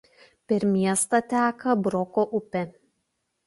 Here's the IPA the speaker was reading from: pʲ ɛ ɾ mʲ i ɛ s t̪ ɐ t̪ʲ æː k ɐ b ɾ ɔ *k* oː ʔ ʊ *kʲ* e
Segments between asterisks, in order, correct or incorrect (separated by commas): correct, incorrect